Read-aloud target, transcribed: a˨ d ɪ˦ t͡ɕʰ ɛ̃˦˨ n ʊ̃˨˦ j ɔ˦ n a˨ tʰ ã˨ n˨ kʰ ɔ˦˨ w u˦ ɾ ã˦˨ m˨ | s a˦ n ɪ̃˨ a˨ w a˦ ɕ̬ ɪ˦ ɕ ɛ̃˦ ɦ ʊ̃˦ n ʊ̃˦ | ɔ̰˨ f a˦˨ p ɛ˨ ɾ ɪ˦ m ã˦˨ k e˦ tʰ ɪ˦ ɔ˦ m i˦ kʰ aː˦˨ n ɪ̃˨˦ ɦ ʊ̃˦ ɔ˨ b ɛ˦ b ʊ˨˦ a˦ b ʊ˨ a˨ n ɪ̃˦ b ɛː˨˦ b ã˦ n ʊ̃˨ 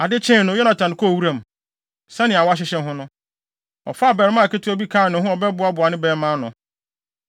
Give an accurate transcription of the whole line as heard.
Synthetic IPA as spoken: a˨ d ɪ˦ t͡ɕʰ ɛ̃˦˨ n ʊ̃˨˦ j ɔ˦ n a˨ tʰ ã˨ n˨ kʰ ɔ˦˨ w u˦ ɾ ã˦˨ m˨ | s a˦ n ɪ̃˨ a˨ w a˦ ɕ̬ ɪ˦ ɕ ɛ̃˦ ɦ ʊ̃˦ n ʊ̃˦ | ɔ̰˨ f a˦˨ b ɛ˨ ɾ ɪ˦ m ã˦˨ k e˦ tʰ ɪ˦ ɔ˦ b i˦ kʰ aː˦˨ n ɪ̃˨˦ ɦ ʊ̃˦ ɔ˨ b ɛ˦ b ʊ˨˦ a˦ b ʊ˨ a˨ n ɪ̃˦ b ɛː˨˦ m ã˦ n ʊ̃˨

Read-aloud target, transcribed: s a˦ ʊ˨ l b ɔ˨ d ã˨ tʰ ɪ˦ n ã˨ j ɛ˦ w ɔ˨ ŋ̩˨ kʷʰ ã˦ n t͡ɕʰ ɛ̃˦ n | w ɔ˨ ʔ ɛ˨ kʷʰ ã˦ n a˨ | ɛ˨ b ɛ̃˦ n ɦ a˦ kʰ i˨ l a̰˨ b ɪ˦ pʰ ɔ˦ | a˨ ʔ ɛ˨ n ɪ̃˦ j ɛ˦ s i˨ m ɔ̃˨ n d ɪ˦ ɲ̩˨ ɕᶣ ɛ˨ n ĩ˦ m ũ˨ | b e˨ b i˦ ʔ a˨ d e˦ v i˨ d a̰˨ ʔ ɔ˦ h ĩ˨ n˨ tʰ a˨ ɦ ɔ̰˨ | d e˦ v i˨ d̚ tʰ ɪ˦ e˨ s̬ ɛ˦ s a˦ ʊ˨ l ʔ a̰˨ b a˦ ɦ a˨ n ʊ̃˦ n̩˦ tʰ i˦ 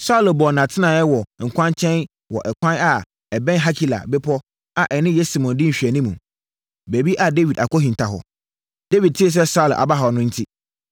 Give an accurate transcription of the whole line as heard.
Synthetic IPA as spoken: s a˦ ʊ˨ l b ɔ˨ n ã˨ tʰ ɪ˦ n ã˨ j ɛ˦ w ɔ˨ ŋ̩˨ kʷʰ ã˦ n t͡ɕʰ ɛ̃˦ n | w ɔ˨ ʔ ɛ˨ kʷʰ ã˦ n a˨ | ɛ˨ b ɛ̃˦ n ɦ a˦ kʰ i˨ l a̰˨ b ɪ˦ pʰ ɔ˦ | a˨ ʔ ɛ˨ n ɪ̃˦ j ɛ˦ s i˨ m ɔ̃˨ n d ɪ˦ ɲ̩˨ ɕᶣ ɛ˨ n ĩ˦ m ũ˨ | b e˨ b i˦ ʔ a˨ d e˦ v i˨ d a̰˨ k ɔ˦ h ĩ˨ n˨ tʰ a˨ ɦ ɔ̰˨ | d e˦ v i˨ d̚ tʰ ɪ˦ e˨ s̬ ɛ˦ s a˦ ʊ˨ l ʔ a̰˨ b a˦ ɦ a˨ n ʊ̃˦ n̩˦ tʰ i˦

